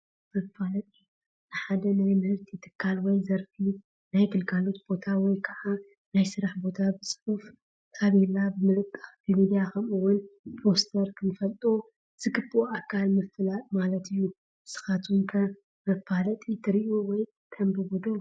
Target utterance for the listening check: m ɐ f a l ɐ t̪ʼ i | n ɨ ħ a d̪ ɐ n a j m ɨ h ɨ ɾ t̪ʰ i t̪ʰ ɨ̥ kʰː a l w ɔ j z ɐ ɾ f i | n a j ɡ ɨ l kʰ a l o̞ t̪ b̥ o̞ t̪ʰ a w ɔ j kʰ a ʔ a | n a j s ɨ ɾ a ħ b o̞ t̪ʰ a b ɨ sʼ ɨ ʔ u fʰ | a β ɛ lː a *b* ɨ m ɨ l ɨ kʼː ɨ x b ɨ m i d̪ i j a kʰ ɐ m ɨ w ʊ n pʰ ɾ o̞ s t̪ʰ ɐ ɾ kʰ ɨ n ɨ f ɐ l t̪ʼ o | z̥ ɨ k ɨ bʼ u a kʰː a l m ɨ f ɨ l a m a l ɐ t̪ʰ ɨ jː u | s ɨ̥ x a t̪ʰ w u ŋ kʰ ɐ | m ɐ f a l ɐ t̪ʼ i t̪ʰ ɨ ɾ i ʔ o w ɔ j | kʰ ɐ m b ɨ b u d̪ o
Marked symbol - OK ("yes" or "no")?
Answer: yes